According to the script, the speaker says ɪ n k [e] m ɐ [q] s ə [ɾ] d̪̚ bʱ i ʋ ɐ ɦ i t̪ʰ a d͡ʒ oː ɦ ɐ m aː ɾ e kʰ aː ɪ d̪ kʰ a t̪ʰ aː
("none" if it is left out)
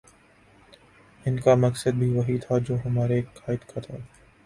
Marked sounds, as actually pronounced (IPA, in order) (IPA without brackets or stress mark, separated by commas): a, k, none